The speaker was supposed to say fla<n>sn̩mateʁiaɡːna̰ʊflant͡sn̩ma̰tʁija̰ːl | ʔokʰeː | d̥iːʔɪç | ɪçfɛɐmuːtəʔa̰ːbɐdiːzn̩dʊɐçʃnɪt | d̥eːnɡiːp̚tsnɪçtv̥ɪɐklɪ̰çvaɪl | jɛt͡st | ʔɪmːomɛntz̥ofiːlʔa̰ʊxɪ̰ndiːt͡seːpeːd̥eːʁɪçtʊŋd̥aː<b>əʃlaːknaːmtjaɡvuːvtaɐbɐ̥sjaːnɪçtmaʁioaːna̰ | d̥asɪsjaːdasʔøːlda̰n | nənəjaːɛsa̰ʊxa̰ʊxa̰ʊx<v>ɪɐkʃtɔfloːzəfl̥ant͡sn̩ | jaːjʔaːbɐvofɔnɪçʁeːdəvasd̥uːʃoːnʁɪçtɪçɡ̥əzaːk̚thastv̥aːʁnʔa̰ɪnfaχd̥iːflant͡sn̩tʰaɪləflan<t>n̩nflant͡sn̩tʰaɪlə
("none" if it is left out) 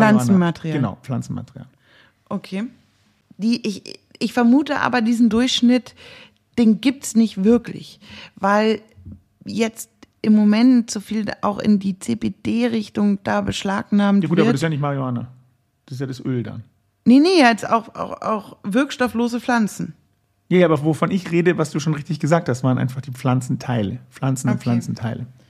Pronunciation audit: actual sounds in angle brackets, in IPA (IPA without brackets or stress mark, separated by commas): n, b, v, t͡s